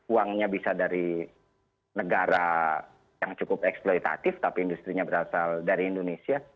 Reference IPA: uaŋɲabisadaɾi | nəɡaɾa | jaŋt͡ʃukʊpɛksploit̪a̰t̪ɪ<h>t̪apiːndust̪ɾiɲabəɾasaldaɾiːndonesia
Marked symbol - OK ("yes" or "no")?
no